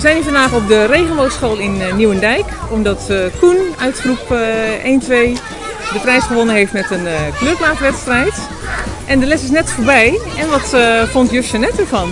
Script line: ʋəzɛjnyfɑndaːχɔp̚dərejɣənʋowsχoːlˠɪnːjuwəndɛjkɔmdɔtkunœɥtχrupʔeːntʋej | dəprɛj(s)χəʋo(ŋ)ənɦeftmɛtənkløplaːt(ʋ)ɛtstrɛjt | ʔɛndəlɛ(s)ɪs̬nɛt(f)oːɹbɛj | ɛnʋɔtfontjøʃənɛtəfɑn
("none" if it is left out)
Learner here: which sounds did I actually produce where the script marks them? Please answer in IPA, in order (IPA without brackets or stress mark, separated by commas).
s, n, ʋ, s, f